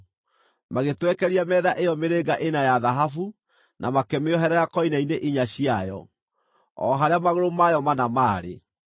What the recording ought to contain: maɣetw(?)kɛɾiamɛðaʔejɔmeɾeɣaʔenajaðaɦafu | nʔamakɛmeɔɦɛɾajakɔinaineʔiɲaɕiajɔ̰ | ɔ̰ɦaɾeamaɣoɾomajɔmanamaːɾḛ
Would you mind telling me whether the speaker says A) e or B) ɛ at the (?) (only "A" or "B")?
B